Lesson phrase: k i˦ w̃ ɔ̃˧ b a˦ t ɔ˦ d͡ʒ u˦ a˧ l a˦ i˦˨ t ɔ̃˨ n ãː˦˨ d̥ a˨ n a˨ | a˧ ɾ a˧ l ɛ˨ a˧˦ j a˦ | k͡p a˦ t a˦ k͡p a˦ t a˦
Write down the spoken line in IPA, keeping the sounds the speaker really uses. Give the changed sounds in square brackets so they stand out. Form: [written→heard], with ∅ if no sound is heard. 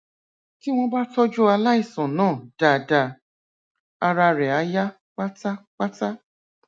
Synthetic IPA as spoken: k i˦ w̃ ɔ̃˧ b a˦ t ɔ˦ d͡ʒ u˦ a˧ l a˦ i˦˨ [t→s] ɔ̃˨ n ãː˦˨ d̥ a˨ [n→d] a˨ | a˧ ɾ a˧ [l→ɾ] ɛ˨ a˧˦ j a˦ | k͡p a˦ t a˦ k͡p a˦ t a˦